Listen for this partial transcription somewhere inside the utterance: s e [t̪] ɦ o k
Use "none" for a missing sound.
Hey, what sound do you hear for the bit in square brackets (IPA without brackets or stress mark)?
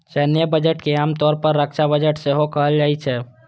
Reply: none